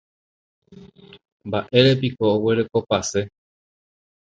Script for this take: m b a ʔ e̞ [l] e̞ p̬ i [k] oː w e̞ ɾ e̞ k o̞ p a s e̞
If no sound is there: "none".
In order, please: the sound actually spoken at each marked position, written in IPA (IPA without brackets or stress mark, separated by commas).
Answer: ɾ, k